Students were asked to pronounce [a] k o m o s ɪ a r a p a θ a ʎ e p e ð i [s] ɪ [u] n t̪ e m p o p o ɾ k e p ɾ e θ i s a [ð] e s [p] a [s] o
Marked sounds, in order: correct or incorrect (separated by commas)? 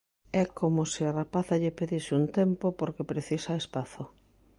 incorrect, correct, correct, incorrect, correct, incorrect